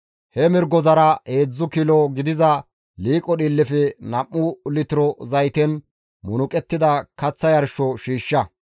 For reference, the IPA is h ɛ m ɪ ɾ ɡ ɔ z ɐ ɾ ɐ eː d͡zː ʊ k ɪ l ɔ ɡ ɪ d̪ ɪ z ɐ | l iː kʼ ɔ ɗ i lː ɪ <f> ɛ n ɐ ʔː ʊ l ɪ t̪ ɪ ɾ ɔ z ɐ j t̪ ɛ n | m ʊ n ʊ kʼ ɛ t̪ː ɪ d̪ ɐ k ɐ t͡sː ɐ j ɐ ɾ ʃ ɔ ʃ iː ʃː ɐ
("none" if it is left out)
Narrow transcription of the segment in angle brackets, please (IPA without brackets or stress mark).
f